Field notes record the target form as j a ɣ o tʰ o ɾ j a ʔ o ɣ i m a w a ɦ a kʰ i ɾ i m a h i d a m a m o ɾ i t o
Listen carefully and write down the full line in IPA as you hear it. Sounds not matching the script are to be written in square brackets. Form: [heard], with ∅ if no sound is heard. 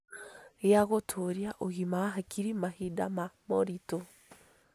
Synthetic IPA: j a ɣ o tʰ o ɾ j a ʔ o ɣ i m a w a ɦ a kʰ i ɾ i m a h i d a m a m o ɾ i t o